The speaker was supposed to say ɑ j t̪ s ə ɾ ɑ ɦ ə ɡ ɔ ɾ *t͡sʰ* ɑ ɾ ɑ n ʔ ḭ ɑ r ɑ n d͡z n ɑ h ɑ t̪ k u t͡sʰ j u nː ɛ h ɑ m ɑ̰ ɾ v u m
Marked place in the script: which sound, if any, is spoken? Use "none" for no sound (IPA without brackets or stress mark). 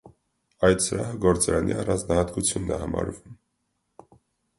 t͡s